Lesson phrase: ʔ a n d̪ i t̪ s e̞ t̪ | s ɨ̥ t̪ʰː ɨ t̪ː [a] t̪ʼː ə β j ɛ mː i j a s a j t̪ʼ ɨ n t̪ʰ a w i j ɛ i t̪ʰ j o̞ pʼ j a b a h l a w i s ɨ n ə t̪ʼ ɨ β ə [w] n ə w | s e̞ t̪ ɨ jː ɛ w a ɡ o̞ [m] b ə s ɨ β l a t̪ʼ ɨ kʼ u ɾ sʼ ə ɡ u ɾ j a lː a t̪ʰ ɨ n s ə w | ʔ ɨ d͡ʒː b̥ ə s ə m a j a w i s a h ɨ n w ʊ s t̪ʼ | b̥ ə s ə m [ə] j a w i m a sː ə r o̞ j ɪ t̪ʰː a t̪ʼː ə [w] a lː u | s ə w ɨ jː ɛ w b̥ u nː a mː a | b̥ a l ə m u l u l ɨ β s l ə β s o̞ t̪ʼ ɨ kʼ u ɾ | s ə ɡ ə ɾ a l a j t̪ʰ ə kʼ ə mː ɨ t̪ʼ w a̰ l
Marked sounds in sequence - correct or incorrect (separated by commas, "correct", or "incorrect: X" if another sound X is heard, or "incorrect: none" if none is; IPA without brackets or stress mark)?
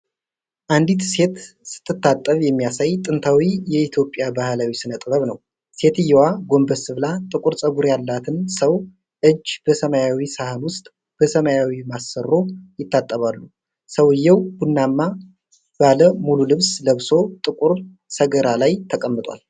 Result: correct, incorrect: β, correct, incorrect: a, incorrect: β